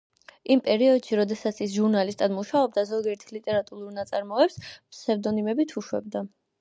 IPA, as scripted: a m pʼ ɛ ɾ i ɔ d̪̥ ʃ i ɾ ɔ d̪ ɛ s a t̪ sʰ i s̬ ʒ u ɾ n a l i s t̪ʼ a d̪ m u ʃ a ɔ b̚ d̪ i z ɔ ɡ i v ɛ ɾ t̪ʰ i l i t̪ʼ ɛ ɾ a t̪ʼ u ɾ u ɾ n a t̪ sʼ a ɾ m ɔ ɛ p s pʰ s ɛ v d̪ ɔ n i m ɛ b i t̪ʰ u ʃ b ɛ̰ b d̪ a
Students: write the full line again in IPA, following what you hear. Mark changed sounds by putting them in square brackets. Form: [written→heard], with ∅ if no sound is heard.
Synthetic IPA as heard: [a→i] m pʼ ɛ ɾ i ɔ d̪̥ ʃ i ɾ ɔ d̪ ɛ s a t̪ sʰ i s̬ ʒ u ɾ n a l i s t̪ʼ a d̪ m u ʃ a ɔ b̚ d̪ [i→a] z ɔ ɡ i [v→∅] ɛ ɾ t̪ʰ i l i t̪ʼ ɛ ɾ a t̪ʼ u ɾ u ɾ n a t̪ sʼ a ɾ m ɔ ɛ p s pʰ s ɛ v d̪ ɔ n i m ɛ b i t̪ʰ u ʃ [b→w] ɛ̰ b d̪ a